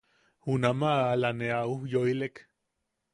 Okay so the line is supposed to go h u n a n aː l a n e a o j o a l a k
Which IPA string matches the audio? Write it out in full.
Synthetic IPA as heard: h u n a m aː l a n e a u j o i l e k

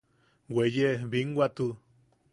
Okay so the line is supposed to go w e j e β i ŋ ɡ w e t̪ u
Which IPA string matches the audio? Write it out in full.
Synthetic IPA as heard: w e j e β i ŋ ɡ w a t̪ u

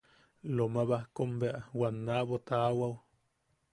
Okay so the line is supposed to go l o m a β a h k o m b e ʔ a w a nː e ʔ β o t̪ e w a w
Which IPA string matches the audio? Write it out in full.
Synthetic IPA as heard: l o m a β a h k o m b e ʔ a w a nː a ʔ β o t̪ a w a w

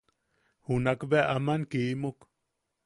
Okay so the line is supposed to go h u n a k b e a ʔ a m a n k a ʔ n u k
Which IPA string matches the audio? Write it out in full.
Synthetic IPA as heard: h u n a k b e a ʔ a m a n k i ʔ m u k

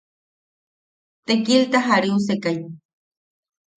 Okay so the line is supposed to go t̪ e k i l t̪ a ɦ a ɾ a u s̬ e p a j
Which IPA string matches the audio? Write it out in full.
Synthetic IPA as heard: t̪ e k i l t̪ a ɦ a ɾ i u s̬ e k a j

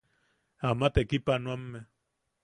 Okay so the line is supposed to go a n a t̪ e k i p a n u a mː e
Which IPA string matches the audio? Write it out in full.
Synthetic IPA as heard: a m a t̪ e k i p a n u a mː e

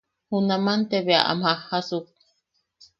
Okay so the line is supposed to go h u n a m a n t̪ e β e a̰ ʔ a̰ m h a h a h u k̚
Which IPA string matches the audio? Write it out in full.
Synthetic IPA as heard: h u n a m a n t̪ e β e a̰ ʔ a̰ m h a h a s u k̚

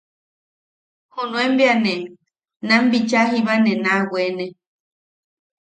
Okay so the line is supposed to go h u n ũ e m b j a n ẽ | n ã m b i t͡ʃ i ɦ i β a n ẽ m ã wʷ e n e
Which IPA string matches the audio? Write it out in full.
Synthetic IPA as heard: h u n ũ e m b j a n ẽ | n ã m b i t͡ʃ a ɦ i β a n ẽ n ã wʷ e n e

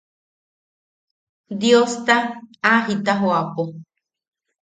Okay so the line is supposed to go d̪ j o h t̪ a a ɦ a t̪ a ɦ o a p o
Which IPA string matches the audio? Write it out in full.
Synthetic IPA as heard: d̪ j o s t̪ a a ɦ i t̪ a ɦ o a p o

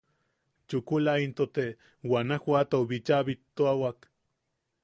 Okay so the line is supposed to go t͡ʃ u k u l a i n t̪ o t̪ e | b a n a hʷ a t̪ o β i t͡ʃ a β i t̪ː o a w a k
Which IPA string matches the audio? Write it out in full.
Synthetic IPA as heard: t͡ʃ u k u l a i n t̪ o t̪ e | w a n a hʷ a t̪ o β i t͡ʃ a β i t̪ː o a w a k

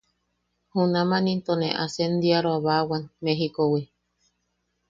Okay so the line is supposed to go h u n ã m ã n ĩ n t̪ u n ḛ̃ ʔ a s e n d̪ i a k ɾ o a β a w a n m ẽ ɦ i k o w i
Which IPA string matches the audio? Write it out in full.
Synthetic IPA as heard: h u n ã m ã n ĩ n t̪ o n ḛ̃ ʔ a s e n d̪ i a ɾ o a β a w a n m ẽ ɦ i k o w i

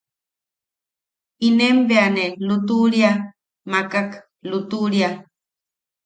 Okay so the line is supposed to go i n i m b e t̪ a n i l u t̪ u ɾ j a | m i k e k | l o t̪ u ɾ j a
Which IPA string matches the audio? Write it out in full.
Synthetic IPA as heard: i n e m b e a n e l u t̪ u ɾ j a | m a k a k | l u t̪ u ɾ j a

